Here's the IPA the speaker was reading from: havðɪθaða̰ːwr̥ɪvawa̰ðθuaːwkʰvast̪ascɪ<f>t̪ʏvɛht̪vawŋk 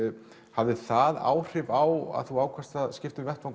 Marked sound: correct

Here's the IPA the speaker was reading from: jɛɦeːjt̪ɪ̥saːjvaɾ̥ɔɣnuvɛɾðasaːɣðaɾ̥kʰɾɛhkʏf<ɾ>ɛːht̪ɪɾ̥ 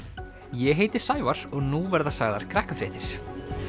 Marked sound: correct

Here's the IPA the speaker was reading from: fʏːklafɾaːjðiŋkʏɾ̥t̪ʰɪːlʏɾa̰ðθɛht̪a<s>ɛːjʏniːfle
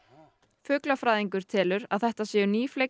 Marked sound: correct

